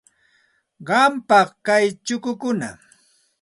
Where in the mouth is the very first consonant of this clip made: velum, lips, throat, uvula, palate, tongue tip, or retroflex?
uvula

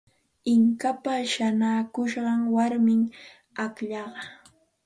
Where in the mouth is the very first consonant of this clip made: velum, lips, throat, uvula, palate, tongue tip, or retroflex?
velum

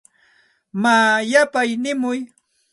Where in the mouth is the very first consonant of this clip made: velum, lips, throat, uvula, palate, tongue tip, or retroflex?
lips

